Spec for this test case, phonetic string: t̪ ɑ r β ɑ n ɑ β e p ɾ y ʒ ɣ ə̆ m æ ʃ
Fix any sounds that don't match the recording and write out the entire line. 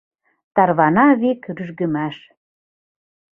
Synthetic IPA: t̪ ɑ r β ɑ n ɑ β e k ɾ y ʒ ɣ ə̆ m æ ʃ